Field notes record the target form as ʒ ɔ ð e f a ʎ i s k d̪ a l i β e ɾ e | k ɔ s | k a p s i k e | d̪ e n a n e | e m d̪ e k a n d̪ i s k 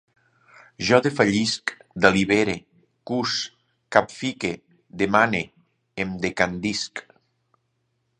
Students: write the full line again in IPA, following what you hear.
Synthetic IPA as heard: ʒ ɔ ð e f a ʎ i s k d̪ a l i β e ɾ e | k u s | k a p f i k e | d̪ e m a n e | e m d̪ e k a n d̪ i s k